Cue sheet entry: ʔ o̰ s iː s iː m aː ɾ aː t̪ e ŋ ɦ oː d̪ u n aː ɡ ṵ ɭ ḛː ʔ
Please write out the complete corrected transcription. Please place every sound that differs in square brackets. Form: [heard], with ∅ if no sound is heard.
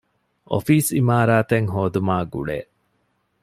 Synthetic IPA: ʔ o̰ [f] iː s [i] m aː ɾ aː t̪ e ŋ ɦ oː d̪ u [m] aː ɡ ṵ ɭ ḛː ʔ